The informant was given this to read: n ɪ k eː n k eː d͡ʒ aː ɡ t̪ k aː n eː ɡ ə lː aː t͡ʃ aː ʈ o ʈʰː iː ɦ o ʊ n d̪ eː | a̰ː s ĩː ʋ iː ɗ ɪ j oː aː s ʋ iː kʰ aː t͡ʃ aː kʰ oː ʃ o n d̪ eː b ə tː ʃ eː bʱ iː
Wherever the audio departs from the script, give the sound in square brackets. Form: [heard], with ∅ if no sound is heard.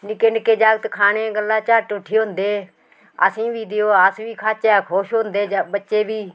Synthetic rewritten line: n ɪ k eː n k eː d͡ʒ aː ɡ t̪ [kʰ] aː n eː ɡ ə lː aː t͡ʃ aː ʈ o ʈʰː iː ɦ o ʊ n d̪ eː | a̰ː s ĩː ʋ iː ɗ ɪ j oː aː s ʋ iː kʰ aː t͡ʃ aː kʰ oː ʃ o n d̪ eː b ə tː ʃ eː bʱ iː